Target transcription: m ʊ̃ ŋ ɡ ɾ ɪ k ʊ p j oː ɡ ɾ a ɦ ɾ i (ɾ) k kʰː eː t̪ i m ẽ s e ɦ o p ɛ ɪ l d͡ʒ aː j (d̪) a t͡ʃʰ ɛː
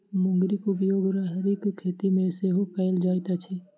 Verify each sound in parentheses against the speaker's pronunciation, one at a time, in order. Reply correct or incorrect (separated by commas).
incorrect, incorrect